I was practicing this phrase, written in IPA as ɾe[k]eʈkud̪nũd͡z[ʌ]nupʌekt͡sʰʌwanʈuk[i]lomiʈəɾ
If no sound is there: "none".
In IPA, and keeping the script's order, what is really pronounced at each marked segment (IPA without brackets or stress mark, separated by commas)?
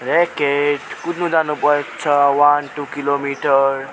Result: k, a, i